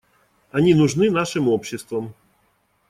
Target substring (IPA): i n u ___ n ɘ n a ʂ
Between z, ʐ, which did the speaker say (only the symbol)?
ʐ